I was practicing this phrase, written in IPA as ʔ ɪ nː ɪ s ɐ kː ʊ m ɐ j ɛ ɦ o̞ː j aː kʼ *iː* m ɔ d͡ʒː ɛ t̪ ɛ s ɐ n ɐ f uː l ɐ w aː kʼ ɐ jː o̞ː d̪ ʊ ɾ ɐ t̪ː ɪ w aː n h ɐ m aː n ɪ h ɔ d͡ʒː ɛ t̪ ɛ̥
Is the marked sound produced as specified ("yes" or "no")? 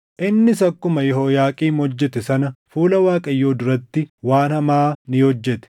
yes